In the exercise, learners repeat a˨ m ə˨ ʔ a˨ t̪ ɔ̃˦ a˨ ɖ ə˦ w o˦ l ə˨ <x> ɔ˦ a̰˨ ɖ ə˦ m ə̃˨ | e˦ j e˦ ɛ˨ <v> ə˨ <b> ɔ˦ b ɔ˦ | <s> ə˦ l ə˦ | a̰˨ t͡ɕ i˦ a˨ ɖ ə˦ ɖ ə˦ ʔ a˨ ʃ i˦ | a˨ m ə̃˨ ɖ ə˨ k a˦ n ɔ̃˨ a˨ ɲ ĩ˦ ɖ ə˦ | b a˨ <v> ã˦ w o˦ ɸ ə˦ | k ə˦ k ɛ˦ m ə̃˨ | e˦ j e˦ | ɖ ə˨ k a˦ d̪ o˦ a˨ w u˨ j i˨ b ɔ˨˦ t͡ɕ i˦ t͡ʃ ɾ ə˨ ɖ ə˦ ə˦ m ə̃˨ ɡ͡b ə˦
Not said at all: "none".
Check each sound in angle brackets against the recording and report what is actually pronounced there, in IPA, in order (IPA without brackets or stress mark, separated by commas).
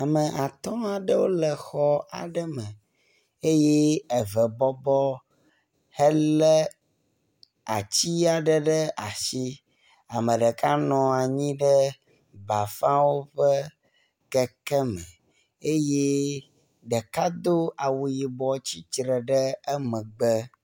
x, v, b, h, f